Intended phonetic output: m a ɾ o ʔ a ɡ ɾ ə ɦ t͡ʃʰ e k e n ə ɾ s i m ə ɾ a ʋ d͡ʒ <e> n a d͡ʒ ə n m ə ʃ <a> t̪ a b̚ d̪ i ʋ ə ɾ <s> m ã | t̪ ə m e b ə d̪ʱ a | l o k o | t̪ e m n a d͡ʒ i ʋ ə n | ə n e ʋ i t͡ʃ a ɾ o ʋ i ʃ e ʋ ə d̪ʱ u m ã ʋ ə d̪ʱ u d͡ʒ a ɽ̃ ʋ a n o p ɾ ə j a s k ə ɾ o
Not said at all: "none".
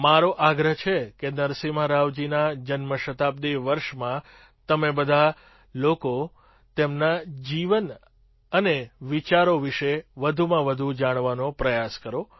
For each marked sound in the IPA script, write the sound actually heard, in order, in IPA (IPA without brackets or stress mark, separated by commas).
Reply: i, ə, ʃ